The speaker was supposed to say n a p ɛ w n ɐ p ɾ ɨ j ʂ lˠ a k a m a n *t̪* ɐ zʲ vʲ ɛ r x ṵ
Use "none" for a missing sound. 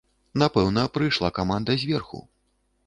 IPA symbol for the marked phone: d̪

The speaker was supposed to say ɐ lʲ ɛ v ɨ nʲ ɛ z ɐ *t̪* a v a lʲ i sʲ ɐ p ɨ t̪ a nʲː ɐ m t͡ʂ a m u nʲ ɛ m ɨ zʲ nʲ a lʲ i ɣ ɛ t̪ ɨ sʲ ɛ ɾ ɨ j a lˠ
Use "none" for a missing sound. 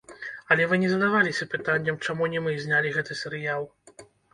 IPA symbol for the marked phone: d̪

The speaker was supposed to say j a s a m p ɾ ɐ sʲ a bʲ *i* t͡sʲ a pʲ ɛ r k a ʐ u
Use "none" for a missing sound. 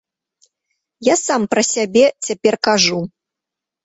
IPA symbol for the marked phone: ɛ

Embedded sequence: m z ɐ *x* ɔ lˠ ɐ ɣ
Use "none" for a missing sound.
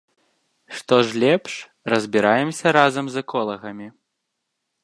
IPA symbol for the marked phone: k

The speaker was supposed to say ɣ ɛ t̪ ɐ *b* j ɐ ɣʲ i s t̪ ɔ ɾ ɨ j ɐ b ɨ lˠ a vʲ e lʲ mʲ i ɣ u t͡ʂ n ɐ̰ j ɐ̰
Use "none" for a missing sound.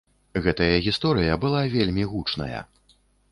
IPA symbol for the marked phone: none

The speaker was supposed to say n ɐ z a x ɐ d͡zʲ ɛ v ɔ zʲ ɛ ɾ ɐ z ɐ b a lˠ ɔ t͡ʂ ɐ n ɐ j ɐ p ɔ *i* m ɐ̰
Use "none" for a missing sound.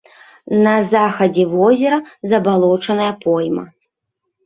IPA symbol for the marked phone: j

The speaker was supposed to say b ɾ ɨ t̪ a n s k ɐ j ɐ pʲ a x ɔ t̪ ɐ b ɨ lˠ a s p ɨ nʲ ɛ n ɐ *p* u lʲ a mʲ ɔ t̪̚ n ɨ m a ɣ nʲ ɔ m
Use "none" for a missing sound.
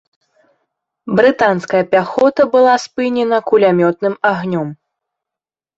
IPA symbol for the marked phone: k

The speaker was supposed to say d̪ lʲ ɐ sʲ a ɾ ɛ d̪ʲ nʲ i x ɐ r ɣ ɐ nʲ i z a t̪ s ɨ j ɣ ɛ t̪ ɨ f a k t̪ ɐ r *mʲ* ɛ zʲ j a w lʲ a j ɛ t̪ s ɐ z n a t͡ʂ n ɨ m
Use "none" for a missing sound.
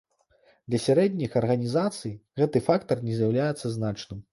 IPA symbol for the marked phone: nʲ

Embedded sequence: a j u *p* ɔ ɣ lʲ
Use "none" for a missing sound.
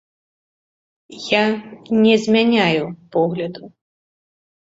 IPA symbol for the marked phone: p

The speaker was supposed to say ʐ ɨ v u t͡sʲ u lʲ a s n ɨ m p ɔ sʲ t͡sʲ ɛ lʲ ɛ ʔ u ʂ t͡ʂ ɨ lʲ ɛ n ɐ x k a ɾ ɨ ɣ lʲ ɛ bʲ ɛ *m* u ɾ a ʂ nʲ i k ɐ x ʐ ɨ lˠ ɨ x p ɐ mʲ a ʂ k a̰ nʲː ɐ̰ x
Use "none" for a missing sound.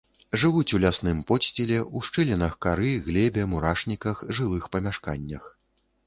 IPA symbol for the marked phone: m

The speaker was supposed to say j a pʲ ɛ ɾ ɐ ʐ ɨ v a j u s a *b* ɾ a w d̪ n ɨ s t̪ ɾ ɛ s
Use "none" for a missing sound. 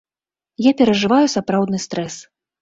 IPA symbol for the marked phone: p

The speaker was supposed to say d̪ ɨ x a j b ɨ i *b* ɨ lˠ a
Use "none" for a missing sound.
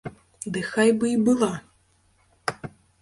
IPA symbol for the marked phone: b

